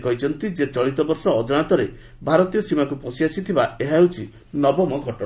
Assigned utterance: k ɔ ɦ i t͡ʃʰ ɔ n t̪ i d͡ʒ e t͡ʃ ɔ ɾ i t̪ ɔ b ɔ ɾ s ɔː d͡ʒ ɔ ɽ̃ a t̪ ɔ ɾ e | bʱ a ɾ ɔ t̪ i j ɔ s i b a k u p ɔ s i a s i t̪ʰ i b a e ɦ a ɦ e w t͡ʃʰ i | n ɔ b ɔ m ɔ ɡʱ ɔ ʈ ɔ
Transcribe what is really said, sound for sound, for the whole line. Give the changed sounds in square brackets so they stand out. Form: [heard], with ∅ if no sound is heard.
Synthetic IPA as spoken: k ɔ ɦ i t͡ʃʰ ɔ n t̪ i d͡ʒ e t͡ʃ ɔ [ɭ] i t̪ ɔ b ɔ ɾ s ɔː d͡ʒ ɔ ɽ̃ a t̪ ɔ ɾ e | bʱ a ɾ ɔ t̪ i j ɔ s i [m] a k u p ɔ s i a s i t̪ʰ i b a e ɦ a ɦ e w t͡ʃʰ i | n ɔ b ɔ m ɔ ɡʱ ɔ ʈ ɔ

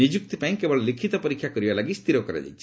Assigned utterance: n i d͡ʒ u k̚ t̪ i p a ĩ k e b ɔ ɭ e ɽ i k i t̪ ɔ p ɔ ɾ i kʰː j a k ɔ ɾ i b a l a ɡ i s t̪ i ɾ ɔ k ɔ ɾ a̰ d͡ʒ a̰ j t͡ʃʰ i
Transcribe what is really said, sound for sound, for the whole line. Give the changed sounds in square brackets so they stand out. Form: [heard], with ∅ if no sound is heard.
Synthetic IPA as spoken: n i d͡ʒ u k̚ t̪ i p a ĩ k e b ɔ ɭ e [l] i [kʰ] i t̪ ɔ p ɔ ɾ i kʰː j a k ɔ ɾ i b a l a ɡ i s t̪ i ɾ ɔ k ɔ ɾ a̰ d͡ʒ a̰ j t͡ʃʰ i

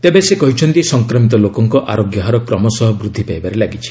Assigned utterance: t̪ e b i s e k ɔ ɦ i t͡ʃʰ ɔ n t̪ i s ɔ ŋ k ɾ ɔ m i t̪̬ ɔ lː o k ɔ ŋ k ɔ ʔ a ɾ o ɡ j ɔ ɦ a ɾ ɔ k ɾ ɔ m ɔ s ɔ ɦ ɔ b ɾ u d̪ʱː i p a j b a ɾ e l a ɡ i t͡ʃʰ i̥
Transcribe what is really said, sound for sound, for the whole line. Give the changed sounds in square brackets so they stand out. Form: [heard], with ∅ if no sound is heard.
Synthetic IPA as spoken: t̪ e b [e] s e k ɔ ɦ i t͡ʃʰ ɔ n t̪ i s ɔ ŋ k ɾ ɔ m i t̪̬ ɔ [l] o k ɔ ŋ k ɔ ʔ a ɾ o ɡ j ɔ ɦ a ɾ ɔ k ɾ ɔ m ɔ s ɔ ɦ ɔ b ɾ u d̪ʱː i p a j b a ɾ e l a ɡ i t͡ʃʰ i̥

